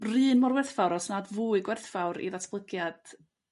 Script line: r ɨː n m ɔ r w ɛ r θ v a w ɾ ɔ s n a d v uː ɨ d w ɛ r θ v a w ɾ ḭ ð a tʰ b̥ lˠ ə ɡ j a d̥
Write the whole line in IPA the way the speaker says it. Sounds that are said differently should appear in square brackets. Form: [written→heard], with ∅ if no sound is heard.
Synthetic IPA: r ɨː n m ɔ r w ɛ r θ [v→f] a w ɾ ɔ s n a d v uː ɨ [d→ɡ] w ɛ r θ [v→f] a w ɾ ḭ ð a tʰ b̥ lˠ ə ɡ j a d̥